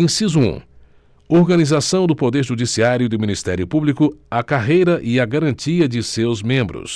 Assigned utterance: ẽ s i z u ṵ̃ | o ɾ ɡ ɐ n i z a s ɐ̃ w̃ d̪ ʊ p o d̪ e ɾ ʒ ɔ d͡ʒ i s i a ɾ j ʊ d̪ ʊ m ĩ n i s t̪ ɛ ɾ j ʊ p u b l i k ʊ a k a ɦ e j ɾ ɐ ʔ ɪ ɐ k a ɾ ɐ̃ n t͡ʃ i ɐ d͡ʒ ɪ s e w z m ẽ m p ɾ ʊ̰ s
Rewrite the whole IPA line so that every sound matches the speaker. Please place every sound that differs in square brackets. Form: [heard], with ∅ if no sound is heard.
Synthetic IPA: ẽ s i z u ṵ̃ | o ɾ ɡ ɐ n i z a s ɐ̃ w̃ d̪ ʊ p o d̪ e ɾ ʒ [u] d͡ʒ i s i a ɾ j ʊ d̪ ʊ m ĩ n i s t̪ ɛ ɾ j ʊ p u b l i k ʊ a k a ɦ e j ɾ ɐ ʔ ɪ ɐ [ɡ] a ɾ ɐ̃ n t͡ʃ i ɐ d͡ʒ ɪ s e w z m ẽ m [b] ɾ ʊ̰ s